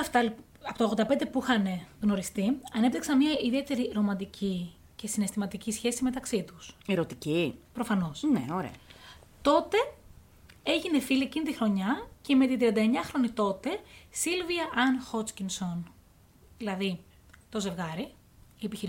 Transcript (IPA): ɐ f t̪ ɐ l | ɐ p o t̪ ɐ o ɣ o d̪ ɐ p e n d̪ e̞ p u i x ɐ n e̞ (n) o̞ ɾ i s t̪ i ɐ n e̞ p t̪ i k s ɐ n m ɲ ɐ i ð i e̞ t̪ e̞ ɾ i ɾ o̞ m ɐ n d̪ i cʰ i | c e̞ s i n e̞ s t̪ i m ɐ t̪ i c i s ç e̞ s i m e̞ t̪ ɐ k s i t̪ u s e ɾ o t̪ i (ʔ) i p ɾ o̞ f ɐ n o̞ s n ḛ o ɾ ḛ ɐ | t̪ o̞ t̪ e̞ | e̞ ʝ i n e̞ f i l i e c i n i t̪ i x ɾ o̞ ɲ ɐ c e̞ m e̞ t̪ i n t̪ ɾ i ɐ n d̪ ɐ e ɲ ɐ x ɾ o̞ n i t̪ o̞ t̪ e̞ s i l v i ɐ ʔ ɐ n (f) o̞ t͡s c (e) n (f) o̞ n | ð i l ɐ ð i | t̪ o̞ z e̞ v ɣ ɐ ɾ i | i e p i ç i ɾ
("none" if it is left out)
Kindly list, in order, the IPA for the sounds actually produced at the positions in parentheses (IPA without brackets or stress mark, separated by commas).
n, c, x, i, s